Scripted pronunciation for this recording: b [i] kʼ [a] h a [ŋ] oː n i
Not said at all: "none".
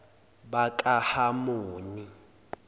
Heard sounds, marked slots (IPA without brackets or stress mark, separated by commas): a, a, m